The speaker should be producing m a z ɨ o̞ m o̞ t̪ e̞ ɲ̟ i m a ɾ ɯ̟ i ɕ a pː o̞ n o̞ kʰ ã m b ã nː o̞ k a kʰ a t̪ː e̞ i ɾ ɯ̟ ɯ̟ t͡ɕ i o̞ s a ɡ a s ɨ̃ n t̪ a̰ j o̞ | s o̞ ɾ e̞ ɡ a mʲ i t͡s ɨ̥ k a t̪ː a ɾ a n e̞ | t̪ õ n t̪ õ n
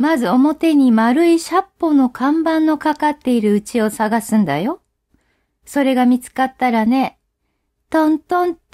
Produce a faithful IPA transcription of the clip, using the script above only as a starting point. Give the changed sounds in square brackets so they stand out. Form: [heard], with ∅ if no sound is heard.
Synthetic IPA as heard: m a z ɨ o̞ m o̞ t̪ e̞ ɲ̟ i m a ɾ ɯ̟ i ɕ a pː o̞ n o̞ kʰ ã m b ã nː o̞ k a [k] a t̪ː e̞ i ɾ ɯ̟ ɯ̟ t͡ɕ i o̞ s a ɡ a s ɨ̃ n [d̪] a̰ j o̞ | s o̞ ɾ e̞ ɡ a mʲ i t͡s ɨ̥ k a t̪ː a ɾ a n e̞ | t̪ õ n t̪ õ n